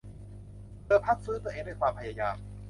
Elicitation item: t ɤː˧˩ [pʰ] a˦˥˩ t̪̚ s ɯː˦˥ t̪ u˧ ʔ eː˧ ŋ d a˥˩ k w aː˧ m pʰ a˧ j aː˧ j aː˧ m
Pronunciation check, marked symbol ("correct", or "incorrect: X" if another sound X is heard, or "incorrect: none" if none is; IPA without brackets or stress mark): correct